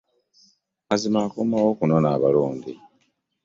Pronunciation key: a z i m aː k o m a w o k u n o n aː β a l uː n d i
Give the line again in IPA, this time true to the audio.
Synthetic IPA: a z i m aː k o m a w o k u n o n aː β a l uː n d i